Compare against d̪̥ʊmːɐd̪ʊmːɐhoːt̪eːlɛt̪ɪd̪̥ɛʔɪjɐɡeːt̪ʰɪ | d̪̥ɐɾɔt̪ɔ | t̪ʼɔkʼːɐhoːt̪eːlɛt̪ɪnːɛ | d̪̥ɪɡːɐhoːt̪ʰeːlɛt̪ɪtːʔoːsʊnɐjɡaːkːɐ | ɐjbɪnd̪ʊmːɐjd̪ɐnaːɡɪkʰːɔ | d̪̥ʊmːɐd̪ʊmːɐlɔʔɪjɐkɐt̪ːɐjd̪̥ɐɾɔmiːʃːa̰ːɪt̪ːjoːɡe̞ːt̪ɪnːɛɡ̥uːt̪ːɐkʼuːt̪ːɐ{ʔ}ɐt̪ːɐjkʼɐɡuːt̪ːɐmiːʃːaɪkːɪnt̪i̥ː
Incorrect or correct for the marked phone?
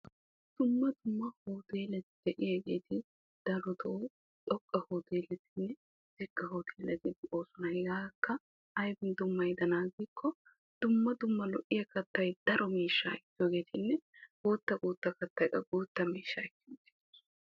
incorrect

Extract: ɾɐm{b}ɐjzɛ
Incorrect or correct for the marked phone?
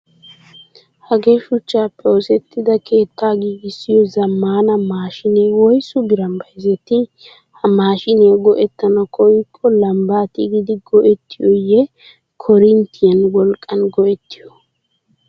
correct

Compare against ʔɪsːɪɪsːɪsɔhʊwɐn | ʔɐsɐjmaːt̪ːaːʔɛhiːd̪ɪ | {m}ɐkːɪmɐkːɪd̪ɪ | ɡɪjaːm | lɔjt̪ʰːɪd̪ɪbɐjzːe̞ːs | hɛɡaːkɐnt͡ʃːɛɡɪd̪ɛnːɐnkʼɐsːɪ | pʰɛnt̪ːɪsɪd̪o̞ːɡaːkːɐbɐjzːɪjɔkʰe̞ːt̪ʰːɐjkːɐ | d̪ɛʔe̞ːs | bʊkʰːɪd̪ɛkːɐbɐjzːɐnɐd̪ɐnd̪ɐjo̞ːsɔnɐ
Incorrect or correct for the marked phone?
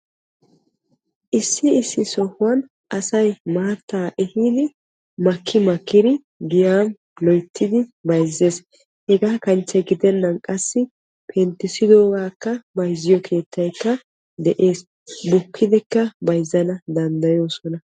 correct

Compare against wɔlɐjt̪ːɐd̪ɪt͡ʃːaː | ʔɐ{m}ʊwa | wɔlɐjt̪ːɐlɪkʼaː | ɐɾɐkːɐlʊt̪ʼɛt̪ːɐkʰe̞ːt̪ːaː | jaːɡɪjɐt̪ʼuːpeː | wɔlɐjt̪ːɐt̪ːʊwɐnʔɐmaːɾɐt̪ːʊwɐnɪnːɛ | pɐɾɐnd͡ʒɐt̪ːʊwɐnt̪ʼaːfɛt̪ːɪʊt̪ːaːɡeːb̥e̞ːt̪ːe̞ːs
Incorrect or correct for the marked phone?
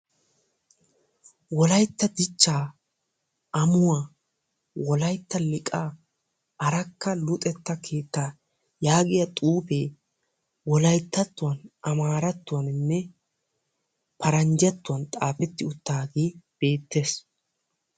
correct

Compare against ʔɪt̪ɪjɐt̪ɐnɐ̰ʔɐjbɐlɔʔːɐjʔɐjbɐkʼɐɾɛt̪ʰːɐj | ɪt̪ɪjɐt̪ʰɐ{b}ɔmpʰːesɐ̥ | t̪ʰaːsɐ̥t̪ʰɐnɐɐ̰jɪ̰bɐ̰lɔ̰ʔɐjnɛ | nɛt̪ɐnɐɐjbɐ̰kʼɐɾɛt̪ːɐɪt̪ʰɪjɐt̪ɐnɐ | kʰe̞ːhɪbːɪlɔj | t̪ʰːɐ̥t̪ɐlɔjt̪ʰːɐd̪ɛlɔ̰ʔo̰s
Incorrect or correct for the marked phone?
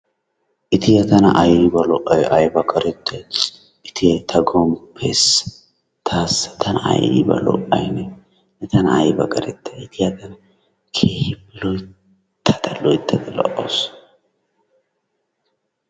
incorrect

